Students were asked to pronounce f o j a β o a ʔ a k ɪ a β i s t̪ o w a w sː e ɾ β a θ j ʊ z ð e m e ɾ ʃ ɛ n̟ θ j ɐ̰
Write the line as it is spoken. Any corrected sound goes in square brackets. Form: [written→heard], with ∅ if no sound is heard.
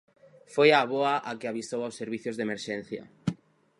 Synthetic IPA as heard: f o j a β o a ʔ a k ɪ a β i s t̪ o w a w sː e ɾ β [a→i] θ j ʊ z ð e m e ɾ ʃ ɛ n̟ θ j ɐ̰

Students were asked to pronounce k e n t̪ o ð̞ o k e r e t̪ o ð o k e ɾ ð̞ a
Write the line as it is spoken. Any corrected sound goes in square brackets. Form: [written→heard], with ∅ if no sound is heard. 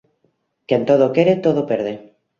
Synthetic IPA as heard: k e n t̪ o ð̞ o k e [r→ɾ] e t̪ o ð o [k→p] e ɾ ð̞ [a→e]

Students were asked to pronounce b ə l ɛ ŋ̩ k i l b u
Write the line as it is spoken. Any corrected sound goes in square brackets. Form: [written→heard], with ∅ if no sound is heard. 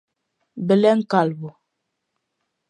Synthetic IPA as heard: b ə l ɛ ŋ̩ k [i→a] l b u

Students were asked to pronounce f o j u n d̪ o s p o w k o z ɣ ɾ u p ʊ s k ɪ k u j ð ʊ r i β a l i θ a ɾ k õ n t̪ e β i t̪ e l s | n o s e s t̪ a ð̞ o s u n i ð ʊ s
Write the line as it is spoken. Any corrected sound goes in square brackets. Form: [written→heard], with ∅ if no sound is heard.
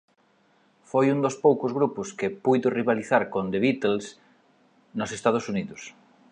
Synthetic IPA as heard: f o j u n d̪ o s p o w k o z ɣ ɾ u p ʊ s k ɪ [k→p] u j ð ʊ r i β a l i θ a ɾ k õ n [t̪→d̪] e β i t̪ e l s | n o s e s t̪ a ð̞ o s u n i ð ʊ s

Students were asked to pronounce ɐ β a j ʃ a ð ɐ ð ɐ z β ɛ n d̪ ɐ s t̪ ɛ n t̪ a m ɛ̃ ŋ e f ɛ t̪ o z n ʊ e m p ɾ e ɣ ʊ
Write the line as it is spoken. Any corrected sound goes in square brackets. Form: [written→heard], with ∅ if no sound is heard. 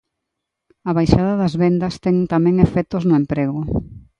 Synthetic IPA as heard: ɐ β a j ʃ a ð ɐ ð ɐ z β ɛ n d̪ ɐ s t̪ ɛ [n→ŋ] t̪ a m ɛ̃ ŋ e f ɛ t̪ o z n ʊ e m p ɾ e ɣ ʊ

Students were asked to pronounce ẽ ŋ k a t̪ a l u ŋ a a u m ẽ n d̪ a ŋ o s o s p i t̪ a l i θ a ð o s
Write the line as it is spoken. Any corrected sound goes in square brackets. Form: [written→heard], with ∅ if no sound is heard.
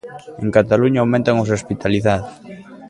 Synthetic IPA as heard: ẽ ŋ k a t̪ a l u [ŋ→ɲ] a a [u→w] m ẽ n [d̪→t̪] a ŋ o s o s p i t̪ a l i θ a ð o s

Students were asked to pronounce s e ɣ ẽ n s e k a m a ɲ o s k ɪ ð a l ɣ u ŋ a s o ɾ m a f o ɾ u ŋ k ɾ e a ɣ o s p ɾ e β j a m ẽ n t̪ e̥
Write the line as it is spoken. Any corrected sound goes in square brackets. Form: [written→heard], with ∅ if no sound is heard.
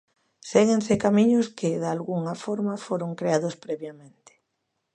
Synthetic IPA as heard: s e ɣ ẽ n s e k a m [a→i] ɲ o s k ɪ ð a l ɣ u ŋ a [s→f] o ɾ m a f o ɾ [u→o] ŋ k ɾ e a [ɣ→ð] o s p ɾ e β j a m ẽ n t̪ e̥

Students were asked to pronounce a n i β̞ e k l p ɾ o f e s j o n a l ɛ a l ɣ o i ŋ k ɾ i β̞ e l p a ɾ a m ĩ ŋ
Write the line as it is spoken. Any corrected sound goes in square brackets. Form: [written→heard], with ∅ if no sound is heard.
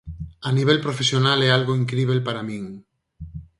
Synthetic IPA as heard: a n i β̞ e [k→∅] l p ɾ o f e s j o n a l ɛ a l ɣ o i ŋ k ɾ i β̞ e l p a ɾ a m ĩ ŋ

